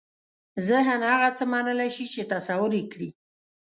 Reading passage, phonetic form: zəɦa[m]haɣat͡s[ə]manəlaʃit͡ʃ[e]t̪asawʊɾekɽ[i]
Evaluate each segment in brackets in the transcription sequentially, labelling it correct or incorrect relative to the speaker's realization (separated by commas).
incorrect, correct, correct, correct